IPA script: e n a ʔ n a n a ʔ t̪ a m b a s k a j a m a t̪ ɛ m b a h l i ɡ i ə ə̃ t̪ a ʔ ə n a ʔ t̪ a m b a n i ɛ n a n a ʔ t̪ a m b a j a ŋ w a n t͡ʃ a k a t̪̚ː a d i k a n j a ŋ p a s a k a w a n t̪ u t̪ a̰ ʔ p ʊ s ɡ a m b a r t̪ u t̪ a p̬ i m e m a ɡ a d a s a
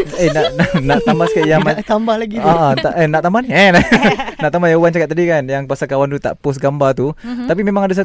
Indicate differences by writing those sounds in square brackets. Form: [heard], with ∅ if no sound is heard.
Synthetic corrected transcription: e n a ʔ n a n a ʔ t̪ a m b a s k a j a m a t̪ [a] m b a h l [a] ɡ i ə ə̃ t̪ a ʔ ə n a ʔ t̪ a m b a n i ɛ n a n a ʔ t̪ a m b a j a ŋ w a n t͡ʃ a k a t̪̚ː a d i k a n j a ŋ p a s a k a w a n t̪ u t̪ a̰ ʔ p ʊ s ɡ a m b a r t̪ u t̪ a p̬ i m e m a [ŋ] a d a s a